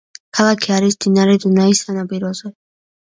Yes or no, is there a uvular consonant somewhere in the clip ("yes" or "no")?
no